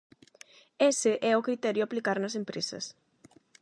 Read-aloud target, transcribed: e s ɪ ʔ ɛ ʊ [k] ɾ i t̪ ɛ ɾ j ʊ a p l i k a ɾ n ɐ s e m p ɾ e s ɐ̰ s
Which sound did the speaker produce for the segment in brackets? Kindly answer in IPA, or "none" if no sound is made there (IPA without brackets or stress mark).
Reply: k